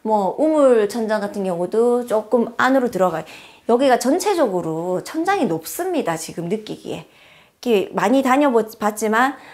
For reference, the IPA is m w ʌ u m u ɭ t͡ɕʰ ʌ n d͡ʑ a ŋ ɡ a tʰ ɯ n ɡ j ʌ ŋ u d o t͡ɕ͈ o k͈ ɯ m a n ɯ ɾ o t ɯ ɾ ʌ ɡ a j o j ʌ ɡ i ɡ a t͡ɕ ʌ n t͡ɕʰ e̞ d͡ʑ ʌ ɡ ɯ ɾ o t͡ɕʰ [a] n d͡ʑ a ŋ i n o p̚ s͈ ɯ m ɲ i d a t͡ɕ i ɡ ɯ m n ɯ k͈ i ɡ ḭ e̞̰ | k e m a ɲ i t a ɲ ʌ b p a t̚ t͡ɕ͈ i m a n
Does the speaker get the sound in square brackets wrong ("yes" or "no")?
yes